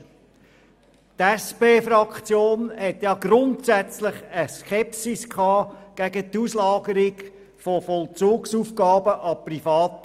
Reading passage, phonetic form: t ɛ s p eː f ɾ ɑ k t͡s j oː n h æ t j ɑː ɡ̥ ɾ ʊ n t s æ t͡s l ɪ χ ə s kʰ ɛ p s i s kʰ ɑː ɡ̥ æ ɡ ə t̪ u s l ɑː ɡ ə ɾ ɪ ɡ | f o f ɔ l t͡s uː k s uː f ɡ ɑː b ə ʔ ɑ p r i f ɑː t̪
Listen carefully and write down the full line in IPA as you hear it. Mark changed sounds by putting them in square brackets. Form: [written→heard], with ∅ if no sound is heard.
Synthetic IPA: t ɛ s p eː f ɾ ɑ k t͡s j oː n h [æ→ɛ] t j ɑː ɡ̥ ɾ ʊ n t s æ t͡s l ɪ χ ə s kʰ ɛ p s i s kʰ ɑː ɡ̥ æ ɡ ə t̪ u s l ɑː ɡ ə ɾ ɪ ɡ | f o f ɔ l t͡s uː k s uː f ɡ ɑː b ə ʔ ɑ p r i f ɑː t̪

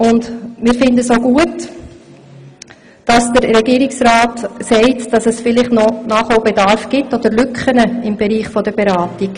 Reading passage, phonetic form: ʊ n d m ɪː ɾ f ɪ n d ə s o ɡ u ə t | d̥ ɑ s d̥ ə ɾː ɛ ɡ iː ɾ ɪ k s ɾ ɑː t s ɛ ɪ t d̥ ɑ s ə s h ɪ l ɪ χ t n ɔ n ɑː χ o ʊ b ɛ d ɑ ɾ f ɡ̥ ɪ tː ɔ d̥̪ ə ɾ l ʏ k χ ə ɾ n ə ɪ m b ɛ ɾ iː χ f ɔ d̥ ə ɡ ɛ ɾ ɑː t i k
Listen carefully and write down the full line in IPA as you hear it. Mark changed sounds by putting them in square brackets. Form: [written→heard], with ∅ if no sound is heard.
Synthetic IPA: ʊ n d m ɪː ɾ f ɪ n d ə s o ɡ u ə t | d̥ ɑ s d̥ ə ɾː ɛ ɡ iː ɾ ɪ k s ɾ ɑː t s ɛ ɪ t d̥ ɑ s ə s [h→f] ɪ l ɪ χ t n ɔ n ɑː χ o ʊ b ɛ d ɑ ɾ f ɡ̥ ɪ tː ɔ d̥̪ ə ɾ l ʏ k χ ə [ɾ→∅] n ə ɪ m b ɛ ɾ iː χ f ɔ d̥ ə [ɡ→b] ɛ ɾ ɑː t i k

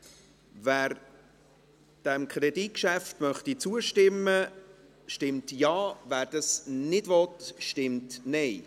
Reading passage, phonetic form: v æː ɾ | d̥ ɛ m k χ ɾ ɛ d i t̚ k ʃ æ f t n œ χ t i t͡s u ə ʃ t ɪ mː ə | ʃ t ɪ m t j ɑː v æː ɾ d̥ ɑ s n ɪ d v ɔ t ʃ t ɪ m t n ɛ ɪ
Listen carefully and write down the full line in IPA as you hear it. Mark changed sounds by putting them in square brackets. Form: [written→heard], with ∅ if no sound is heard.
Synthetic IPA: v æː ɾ | d̥ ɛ m k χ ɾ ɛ d i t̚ k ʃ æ f t [n→m] œ χ t i t͡s u ə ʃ t ɪ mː ə | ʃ t ɪ m t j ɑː v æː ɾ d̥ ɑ s n ɪ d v ɔ t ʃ t ɪ m t n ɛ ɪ

